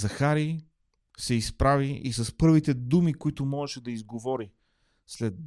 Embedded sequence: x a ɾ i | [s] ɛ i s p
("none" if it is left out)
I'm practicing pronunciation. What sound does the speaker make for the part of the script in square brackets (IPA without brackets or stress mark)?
s